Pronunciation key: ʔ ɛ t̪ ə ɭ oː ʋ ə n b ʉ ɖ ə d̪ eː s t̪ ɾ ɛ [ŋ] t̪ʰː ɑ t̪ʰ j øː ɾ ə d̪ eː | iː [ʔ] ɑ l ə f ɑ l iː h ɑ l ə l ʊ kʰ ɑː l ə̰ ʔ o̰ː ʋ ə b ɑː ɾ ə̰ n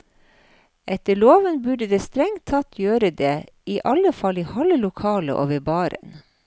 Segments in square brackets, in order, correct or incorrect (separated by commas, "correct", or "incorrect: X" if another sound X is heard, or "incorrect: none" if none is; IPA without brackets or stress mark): correct, correct